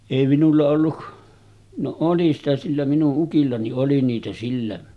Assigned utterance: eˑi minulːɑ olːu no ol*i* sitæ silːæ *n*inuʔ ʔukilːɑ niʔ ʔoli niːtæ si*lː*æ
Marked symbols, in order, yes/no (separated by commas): yes, no, yes